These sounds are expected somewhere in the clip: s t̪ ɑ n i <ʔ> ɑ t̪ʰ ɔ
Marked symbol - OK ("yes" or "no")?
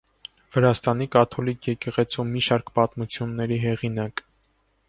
no